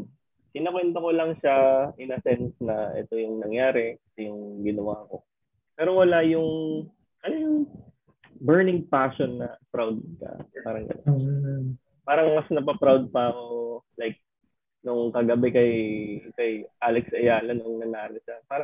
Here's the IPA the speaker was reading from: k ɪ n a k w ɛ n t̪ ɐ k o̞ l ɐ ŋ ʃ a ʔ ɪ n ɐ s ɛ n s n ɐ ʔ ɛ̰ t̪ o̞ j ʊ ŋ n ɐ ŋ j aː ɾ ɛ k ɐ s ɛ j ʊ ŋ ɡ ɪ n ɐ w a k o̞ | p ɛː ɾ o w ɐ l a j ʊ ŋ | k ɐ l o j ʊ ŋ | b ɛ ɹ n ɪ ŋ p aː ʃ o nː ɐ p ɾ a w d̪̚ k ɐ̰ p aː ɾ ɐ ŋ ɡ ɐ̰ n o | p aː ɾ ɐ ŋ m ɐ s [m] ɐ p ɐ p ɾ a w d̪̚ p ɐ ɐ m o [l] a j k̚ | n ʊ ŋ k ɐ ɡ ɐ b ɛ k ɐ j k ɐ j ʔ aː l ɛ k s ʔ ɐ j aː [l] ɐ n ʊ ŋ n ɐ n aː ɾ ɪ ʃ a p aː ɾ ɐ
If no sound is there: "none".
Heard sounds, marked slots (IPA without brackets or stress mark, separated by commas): n, l, l